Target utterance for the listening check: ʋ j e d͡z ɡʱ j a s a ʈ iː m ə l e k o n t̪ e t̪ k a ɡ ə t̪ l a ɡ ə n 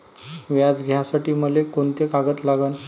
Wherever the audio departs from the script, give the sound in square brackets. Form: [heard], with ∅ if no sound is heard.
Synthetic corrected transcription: ʋ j [a] d͡z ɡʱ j a s a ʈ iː m ə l e k o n t̪ e [∅] k a ɡ ə t̪ l a ɡ ə n